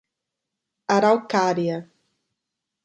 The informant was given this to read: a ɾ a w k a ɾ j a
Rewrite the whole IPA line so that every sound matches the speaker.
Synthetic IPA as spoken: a ɾ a w k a ɾ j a